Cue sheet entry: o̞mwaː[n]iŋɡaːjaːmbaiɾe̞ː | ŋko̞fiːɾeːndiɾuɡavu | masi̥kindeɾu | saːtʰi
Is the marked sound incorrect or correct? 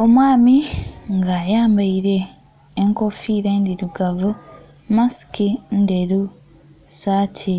incorrect